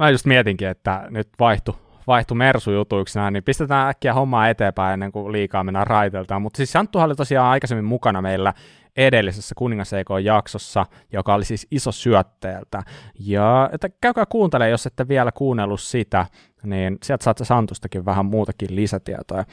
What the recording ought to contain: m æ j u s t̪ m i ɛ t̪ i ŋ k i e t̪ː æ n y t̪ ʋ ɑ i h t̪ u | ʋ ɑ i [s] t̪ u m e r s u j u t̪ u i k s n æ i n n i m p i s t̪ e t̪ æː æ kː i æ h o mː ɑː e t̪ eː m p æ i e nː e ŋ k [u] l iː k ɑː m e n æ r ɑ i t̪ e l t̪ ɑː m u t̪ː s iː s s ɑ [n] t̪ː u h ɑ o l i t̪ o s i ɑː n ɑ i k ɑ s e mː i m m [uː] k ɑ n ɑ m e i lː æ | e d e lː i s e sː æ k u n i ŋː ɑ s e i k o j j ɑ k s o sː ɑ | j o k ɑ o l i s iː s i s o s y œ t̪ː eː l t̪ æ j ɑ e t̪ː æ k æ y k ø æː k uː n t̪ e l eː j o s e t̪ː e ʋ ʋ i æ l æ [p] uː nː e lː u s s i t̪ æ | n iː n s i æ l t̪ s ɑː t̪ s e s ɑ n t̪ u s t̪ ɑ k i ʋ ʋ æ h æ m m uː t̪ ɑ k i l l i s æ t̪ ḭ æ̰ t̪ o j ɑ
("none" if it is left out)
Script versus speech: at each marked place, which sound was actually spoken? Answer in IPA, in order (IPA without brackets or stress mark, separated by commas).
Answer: h, u, n, u, k